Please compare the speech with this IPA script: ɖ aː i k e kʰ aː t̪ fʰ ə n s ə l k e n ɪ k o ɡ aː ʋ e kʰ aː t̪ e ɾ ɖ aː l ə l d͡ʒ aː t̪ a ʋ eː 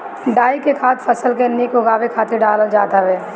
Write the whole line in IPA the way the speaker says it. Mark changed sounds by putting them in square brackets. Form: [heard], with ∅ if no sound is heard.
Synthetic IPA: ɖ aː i k e kʰ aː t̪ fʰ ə [∅] s ə l k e n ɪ k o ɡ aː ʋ e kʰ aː t̪ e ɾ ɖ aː l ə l d͡ʒ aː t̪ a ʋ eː